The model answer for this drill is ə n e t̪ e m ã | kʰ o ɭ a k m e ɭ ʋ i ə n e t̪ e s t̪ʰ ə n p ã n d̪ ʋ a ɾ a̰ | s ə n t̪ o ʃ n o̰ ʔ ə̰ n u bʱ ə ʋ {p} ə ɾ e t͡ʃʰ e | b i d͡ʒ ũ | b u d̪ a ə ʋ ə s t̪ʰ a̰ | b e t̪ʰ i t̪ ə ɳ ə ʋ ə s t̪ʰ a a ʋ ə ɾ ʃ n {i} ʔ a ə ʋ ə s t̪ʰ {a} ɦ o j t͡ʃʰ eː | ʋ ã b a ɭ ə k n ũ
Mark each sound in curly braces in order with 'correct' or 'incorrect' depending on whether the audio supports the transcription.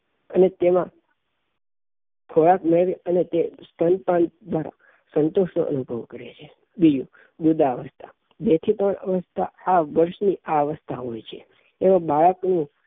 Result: incorrect, correct, correct

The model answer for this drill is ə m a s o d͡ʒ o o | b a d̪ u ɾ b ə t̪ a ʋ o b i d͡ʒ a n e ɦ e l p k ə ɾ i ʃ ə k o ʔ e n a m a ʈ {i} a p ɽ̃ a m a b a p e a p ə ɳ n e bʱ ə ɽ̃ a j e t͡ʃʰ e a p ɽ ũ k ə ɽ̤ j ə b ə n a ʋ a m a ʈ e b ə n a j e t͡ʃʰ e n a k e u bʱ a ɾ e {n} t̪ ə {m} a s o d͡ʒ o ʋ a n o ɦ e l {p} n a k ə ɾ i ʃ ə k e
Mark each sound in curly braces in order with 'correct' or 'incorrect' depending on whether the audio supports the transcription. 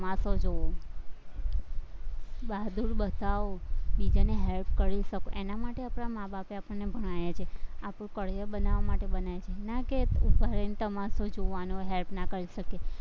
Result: incorrect, correct, correct, correct

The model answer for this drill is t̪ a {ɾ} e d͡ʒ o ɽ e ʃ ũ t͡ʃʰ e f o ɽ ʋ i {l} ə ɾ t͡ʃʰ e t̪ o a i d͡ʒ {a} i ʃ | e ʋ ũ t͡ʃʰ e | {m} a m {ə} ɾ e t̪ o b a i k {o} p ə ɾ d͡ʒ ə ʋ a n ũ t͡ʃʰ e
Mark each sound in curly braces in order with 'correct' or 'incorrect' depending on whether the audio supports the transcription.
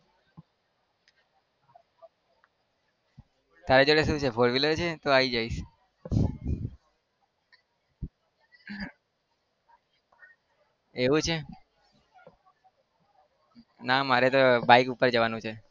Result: correct, correct, correct, incorrect, incorrect, incorrect

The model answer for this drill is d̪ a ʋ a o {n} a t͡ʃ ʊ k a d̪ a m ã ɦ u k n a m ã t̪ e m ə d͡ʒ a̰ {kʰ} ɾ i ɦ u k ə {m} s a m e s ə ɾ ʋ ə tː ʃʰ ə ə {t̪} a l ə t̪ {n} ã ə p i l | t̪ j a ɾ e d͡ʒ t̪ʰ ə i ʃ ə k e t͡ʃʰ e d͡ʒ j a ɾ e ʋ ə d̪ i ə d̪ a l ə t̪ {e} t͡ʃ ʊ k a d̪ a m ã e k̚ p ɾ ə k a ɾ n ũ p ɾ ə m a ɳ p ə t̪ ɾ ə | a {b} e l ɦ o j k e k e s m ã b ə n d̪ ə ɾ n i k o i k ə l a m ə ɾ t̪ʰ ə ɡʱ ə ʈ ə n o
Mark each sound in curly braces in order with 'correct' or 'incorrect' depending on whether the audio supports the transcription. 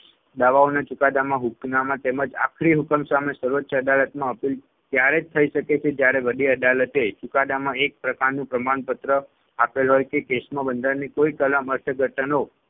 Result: correct, correct, correct, incorrect, incorrect, correct, incorrect

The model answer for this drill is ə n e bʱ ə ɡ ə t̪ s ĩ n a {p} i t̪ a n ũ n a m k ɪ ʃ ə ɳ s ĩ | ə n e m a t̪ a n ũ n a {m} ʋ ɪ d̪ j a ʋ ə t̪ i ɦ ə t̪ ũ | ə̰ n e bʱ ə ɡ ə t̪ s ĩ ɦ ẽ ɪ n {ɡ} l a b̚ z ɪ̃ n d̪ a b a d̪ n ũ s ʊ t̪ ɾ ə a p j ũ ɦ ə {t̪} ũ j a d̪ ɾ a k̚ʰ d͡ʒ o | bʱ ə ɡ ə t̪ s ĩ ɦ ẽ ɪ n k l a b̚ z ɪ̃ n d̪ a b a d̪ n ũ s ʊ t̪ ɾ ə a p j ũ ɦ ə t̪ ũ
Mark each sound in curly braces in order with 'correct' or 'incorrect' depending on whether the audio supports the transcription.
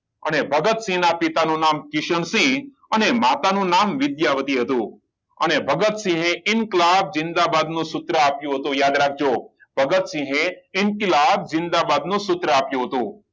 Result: correct, correct, incorrect, correct

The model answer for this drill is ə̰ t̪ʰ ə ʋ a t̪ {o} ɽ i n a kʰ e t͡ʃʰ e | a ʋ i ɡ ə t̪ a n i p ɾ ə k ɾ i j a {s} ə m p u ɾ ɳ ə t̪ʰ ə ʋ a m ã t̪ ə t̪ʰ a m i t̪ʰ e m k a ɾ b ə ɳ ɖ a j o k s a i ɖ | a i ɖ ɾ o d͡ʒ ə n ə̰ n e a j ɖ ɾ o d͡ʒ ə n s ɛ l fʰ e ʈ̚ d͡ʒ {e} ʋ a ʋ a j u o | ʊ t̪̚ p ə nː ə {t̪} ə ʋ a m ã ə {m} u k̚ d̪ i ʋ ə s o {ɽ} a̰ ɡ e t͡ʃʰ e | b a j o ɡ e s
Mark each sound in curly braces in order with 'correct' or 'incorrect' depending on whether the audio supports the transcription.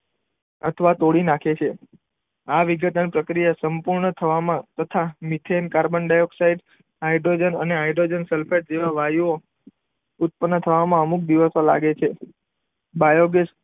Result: correct, correct, correct, incorrect, correct, incorrect

